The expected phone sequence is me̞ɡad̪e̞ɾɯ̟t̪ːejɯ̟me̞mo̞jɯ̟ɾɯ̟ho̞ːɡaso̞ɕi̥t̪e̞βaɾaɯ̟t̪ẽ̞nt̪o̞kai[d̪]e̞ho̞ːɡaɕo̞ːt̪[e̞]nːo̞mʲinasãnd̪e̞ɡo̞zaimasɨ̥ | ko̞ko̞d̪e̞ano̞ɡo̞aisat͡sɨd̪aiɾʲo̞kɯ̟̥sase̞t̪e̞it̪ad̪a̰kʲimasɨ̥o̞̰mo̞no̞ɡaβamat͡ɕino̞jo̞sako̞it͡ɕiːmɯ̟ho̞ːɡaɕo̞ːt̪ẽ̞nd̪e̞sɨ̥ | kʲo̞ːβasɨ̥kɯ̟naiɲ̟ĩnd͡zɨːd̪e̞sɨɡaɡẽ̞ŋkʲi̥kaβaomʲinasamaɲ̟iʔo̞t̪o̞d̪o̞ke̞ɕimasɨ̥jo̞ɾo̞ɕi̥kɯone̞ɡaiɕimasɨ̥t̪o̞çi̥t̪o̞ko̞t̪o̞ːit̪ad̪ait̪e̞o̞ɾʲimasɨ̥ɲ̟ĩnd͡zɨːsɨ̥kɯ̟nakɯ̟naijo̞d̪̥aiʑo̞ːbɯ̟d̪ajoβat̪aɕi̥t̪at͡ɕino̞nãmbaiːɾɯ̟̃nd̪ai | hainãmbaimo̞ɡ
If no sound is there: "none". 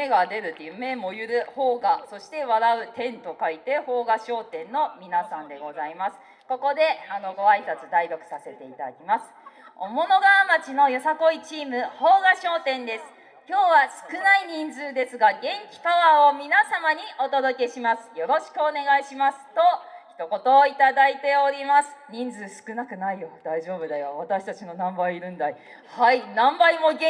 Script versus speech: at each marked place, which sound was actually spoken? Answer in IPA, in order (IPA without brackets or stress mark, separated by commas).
t̪, ẽ̞